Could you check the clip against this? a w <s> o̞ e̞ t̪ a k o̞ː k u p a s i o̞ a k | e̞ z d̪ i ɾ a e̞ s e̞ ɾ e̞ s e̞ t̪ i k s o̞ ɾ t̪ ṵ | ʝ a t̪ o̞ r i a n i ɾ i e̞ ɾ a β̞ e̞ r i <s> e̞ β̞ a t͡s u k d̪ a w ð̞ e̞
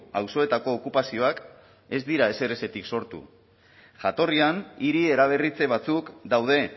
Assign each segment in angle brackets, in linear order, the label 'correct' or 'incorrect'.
correct, incorrect

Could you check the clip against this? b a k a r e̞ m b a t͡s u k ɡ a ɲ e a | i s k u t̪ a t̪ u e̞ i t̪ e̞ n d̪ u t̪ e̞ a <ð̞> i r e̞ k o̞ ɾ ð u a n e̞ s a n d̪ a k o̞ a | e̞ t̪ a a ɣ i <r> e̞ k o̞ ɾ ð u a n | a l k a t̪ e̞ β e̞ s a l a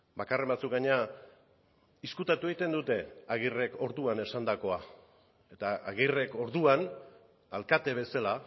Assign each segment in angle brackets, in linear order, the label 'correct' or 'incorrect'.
incorrect, correct

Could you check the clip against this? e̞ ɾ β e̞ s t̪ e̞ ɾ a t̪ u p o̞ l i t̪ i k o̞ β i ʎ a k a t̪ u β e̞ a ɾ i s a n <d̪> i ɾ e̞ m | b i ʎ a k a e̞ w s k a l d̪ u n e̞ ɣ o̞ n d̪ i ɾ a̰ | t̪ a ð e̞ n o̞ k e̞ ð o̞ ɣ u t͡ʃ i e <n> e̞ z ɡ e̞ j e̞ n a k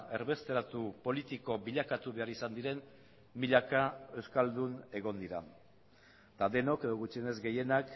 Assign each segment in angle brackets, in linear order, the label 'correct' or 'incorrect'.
correct, correct

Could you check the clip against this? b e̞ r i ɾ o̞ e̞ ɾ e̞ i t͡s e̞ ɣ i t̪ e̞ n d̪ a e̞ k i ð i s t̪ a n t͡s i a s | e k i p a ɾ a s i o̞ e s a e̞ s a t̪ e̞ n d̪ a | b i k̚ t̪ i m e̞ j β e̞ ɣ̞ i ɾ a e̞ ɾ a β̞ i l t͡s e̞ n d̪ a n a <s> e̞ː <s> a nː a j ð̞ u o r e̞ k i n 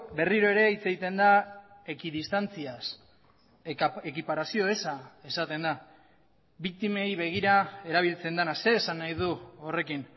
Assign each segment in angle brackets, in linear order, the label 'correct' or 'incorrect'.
correct, correct

